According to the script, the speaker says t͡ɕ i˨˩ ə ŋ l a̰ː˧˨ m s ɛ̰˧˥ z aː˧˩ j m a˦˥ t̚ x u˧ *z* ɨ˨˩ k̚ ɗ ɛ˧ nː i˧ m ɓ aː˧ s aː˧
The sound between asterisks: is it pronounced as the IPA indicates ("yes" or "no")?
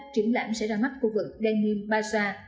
no